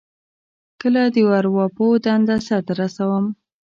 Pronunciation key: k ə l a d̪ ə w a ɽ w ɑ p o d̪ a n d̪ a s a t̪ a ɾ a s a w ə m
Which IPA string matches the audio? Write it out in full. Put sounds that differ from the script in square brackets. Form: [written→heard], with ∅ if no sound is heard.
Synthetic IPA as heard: k ə l a d̪ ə w a [ɽ→ɾ] w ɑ p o d̪ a n d̪ a s a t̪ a ɾ a s a w ə m